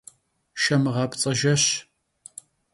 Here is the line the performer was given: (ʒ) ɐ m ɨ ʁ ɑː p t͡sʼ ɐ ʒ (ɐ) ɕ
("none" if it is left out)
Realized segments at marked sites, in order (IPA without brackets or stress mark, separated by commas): ʃ, ɐ